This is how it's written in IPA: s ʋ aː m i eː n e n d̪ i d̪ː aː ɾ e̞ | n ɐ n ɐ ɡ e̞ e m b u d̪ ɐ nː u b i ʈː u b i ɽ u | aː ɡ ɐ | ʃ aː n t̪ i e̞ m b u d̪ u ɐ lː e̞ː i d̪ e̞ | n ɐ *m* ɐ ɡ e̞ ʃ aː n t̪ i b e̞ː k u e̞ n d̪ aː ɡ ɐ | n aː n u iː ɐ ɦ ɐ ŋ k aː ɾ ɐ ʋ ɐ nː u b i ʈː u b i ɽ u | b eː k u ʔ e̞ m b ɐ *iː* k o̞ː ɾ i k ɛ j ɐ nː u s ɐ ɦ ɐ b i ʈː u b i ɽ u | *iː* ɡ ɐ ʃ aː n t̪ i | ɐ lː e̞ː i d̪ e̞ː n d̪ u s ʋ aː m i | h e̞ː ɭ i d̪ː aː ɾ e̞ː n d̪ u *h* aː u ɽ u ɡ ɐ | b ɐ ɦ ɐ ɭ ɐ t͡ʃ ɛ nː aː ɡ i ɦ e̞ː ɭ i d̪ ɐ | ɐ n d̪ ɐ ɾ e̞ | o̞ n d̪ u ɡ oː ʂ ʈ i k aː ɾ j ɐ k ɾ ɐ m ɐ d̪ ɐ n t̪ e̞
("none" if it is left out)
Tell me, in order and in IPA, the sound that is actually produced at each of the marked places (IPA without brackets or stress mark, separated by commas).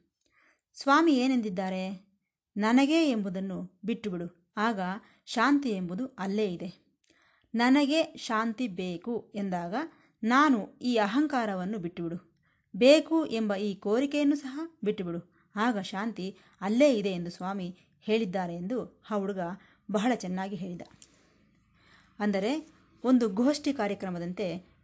n, iː, aː, h